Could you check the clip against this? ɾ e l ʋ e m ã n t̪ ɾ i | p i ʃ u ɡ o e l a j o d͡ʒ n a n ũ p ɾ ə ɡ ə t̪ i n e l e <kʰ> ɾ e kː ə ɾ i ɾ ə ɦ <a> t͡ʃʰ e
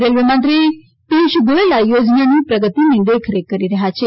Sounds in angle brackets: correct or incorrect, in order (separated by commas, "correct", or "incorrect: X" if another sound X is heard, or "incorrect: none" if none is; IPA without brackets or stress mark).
correct, correct